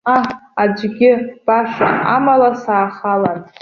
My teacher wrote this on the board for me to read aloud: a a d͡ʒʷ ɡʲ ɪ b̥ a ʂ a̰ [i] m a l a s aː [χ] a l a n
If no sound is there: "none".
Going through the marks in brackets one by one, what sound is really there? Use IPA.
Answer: a, χ

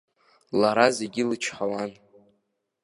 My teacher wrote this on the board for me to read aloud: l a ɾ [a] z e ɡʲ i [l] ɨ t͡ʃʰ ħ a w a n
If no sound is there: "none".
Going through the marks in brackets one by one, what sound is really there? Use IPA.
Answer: a, l

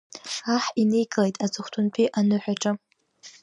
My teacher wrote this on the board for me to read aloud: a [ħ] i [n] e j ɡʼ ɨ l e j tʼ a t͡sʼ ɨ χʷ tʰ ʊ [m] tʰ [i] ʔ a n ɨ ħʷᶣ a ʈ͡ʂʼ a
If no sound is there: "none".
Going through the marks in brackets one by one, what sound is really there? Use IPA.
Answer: ħ, n, n, i

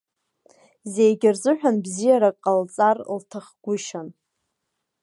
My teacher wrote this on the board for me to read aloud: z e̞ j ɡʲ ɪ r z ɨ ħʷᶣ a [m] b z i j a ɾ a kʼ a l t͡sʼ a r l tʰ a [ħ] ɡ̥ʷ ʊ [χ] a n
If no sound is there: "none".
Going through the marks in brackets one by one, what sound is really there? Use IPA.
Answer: n, χ, ʃ

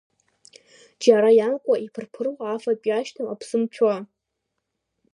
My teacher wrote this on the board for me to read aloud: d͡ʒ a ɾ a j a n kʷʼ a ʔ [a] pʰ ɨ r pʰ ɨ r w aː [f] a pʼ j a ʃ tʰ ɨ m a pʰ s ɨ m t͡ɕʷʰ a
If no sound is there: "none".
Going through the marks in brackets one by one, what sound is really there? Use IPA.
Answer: i, f

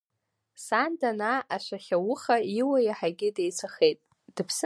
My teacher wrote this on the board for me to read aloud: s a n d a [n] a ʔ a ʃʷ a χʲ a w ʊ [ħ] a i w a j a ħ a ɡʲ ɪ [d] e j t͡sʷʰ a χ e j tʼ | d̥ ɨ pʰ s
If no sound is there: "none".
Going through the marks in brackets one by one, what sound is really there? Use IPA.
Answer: n, χ, d

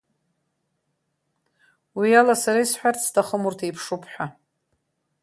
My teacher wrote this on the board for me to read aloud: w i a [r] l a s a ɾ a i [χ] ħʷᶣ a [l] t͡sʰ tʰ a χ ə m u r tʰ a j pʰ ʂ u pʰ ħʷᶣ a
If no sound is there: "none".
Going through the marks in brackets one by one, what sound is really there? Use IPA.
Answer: none, s, r

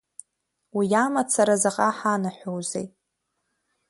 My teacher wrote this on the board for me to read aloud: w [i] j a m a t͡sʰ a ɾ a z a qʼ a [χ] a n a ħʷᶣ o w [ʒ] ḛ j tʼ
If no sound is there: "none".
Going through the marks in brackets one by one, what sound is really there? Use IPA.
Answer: i, ħ, z

